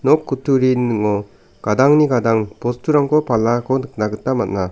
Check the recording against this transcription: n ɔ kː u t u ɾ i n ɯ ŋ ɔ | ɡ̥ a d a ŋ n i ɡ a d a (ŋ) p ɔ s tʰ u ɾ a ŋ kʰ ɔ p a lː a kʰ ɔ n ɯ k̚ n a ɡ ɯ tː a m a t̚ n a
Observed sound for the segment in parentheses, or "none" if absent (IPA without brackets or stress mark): ŋ